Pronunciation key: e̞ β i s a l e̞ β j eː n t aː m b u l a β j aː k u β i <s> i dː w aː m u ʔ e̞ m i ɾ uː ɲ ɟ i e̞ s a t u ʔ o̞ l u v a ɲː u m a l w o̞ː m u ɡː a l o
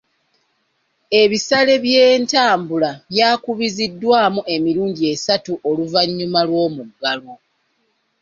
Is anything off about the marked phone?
yes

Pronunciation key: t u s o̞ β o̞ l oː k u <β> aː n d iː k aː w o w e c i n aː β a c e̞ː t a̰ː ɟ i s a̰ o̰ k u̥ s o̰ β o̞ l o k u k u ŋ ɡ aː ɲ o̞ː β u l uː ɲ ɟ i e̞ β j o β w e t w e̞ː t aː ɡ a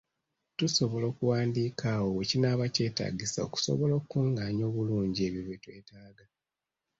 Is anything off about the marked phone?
yes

